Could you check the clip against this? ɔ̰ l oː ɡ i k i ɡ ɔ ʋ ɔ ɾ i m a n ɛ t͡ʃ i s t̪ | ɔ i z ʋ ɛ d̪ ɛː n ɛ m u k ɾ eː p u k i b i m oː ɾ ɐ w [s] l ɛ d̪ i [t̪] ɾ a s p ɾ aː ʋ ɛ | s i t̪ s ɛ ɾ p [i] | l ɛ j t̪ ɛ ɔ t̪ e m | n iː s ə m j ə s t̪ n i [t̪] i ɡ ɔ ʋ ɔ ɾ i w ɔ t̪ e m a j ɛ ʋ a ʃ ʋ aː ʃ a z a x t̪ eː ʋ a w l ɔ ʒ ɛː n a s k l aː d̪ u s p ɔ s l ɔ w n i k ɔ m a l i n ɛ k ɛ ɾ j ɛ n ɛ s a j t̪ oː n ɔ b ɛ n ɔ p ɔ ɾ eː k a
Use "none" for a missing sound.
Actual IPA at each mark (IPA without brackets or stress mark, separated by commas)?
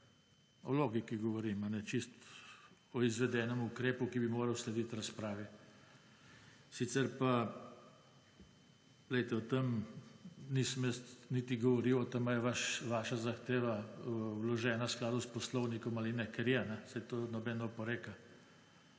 s, t̪, a, t̪